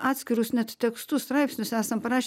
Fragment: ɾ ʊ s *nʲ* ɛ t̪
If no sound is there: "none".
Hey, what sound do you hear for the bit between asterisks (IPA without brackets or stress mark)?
nʲ